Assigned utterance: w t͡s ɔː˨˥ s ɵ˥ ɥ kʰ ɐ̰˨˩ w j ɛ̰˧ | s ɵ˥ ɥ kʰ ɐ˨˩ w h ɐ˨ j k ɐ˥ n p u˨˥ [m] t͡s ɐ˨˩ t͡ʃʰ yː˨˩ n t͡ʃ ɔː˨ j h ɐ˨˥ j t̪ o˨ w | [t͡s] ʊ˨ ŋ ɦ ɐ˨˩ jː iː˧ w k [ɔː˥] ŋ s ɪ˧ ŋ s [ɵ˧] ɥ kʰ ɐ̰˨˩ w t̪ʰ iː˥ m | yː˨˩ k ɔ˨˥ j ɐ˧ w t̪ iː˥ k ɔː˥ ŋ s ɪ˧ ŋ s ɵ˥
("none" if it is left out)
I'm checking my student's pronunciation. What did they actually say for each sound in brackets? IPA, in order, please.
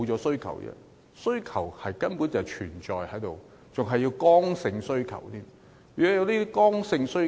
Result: n, t͡s, ɔː˥, ɵ˥

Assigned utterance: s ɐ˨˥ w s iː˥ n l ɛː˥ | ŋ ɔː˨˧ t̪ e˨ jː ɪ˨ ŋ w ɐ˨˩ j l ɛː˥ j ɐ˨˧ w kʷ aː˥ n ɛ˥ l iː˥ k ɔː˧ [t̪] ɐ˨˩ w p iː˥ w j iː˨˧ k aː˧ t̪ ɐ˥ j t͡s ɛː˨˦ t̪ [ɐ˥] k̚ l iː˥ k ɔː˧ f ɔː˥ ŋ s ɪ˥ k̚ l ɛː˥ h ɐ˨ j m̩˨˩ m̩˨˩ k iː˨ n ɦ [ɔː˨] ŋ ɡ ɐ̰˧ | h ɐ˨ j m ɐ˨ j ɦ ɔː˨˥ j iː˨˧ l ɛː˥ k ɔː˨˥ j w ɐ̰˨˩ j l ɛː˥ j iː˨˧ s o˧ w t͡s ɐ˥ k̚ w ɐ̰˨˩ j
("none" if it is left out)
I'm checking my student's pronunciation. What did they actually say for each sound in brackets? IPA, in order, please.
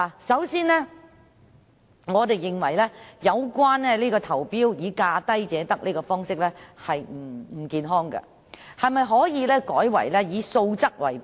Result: t̪ʰ, ɐ˥, ɔː˥

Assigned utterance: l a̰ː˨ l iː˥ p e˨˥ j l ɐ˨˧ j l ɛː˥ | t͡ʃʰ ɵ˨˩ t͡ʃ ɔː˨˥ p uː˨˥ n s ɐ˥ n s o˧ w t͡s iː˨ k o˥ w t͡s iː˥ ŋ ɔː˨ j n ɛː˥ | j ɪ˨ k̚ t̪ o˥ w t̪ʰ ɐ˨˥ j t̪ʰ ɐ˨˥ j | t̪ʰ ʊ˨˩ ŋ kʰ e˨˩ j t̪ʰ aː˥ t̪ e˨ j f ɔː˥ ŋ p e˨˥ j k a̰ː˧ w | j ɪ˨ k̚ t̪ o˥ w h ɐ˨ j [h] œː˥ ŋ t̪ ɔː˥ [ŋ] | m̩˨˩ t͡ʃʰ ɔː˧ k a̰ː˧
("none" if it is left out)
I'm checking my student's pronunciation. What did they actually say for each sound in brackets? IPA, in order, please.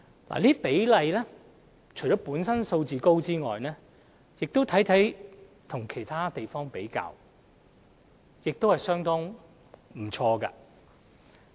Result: s, ŋ

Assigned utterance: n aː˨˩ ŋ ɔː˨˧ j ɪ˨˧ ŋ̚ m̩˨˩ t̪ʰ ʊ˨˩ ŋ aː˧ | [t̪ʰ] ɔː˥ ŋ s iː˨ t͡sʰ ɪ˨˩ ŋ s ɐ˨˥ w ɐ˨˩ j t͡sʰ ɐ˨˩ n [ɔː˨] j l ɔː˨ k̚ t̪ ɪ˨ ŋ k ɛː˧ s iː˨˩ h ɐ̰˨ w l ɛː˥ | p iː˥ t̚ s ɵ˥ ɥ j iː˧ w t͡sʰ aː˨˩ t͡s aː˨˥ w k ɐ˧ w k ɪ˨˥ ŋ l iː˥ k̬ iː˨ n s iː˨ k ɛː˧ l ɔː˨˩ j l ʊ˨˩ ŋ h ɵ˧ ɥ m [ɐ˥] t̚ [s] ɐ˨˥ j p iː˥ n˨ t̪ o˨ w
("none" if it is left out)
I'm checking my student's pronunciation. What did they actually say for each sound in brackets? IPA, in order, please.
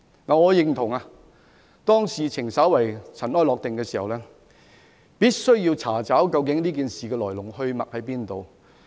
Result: t̪, ɔː˥, ɐ˨, h

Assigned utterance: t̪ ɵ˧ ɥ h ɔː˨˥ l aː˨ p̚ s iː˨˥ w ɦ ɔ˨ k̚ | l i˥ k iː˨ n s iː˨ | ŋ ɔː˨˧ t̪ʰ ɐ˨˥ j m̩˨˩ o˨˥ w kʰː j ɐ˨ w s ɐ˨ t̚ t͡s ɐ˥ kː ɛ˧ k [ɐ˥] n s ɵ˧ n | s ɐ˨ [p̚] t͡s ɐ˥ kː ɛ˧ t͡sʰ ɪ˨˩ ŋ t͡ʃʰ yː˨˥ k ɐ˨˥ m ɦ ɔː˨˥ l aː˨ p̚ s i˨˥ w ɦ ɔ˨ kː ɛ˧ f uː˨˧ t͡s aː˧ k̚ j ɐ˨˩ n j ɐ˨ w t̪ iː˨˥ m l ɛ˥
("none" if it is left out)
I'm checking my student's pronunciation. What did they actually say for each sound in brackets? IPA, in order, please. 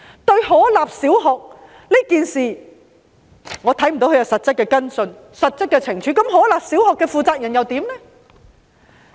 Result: ɐ˥, t̚

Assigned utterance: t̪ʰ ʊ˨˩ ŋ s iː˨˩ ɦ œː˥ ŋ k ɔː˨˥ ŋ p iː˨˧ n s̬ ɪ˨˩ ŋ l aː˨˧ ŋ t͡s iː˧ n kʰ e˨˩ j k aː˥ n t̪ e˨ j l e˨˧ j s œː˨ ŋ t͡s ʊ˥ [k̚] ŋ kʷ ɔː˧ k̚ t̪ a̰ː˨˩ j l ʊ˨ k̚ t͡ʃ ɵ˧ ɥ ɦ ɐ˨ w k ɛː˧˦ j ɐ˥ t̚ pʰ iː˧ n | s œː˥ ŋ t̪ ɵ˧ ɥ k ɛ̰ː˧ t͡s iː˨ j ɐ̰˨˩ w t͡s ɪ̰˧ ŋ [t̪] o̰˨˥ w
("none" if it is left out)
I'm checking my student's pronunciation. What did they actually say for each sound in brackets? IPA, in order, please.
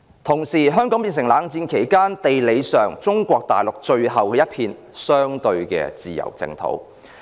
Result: none, t̪ʰ

